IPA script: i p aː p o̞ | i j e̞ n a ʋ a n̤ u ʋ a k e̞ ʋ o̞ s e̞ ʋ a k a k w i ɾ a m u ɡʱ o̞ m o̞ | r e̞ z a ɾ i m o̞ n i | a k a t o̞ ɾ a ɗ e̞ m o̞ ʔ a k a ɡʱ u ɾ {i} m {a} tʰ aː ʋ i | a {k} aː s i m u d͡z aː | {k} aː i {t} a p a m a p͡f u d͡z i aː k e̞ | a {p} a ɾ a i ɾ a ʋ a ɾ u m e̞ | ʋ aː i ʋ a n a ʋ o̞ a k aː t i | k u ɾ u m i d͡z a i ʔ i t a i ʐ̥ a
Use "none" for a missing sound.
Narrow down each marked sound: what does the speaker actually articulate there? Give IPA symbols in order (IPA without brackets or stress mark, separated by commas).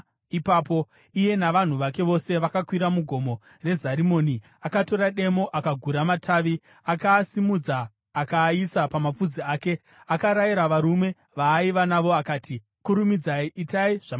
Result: a, a, k, k, s, k